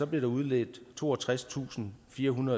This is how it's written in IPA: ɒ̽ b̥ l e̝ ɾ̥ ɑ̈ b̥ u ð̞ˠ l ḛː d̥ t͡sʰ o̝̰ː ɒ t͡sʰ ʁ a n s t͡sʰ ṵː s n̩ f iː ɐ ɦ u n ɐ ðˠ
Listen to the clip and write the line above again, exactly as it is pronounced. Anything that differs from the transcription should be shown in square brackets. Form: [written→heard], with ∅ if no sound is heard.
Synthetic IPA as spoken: ɒ̽ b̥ l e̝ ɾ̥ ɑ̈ [b̥→∅] u ð̞ˠ l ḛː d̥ t͡sʰ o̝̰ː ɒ t͡sʰ ʁ a [n→∅] s t͡sʰ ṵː s n̩ f iː ɐ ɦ u n ɐ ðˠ